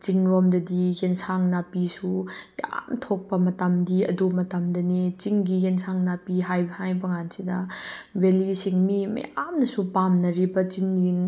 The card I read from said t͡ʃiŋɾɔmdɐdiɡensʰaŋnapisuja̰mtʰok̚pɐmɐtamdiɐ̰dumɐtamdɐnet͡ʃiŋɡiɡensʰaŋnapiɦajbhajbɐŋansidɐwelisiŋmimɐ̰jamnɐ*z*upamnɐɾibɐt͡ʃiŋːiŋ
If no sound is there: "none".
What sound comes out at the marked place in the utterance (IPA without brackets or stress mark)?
s